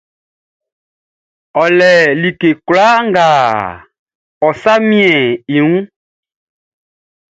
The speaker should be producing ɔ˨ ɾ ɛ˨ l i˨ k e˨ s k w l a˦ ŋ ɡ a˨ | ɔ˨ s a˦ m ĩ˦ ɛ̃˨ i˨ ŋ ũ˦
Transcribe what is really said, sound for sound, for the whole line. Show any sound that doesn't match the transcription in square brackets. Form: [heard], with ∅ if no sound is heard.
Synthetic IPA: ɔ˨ [l] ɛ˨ l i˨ k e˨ [∅] k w l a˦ ŋ ɡ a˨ | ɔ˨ s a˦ m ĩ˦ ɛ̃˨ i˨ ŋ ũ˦